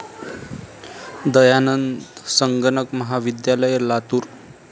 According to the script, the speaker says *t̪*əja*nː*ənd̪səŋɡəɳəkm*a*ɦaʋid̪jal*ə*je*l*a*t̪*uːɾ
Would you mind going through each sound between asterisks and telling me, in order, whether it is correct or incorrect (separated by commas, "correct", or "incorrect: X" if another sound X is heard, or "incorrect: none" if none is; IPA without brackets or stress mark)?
incorrect: d̪, incorrect: n, incorrect: ə, correct, correct, correct